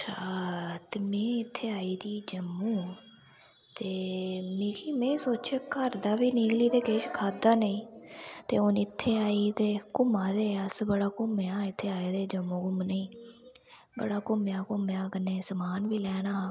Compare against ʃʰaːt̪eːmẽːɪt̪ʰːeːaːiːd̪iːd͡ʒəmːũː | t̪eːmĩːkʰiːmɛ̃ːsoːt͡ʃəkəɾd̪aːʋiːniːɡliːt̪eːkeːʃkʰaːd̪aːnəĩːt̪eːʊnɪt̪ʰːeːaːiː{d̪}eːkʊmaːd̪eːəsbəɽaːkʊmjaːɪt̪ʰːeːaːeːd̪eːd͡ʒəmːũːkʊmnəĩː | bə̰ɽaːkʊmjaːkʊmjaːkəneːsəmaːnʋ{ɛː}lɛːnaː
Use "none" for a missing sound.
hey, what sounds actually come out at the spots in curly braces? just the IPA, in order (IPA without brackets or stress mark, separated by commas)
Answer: t̪, iː